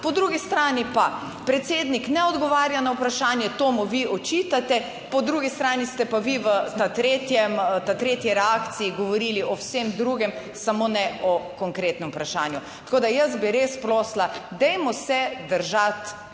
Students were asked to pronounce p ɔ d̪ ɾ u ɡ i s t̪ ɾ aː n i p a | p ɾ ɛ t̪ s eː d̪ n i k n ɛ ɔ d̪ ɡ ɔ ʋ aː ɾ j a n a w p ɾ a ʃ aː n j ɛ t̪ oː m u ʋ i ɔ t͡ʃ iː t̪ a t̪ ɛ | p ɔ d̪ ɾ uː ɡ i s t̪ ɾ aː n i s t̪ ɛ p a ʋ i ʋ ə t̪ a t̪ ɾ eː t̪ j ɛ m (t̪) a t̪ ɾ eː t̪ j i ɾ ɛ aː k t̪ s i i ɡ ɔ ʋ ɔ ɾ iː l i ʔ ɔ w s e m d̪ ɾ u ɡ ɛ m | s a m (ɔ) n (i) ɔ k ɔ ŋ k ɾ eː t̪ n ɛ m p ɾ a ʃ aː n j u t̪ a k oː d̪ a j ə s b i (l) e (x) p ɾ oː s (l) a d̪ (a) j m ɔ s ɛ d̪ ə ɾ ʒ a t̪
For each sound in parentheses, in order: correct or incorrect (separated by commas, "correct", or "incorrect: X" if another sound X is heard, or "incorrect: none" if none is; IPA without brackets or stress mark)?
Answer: correct, incorrect: o, incorrect: ɛ, incorrect: ɾ, incorrect: s, correct, incorrect: ɛ